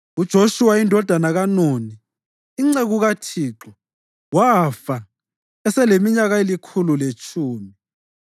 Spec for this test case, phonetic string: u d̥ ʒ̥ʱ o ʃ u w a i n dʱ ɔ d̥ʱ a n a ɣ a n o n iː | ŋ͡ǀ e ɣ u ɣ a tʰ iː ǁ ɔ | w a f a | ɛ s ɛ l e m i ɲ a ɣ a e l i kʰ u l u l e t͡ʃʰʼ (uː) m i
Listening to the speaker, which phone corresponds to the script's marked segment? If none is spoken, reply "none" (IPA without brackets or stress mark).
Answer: uː